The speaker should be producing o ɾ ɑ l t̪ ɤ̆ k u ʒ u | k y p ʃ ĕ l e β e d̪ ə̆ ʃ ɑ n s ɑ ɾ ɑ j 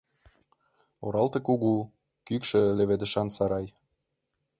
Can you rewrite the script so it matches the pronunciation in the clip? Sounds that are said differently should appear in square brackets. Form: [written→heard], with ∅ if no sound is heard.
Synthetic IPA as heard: o ɾ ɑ l t̪ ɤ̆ k u [ʒ→ɣ] u | k y [p→k] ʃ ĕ l e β e d̪ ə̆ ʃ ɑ n s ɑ ɾ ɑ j